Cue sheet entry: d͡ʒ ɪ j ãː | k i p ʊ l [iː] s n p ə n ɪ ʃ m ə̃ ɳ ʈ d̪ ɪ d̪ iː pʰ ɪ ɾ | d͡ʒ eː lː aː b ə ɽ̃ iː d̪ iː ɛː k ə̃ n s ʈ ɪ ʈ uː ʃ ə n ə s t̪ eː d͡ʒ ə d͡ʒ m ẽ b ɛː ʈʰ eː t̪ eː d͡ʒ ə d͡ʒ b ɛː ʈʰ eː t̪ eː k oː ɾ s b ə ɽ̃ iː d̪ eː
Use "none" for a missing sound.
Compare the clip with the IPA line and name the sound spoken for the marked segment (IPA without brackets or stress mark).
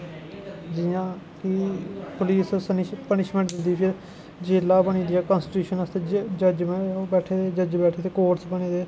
iː